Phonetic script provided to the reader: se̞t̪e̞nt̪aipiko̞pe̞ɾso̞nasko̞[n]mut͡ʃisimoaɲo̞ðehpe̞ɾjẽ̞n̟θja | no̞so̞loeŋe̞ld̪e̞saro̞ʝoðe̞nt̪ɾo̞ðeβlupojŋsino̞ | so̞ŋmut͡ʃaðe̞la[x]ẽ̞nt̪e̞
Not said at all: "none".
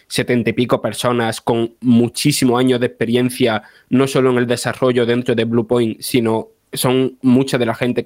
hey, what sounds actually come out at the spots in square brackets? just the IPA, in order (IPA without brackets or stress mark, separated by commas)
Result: ŋ, x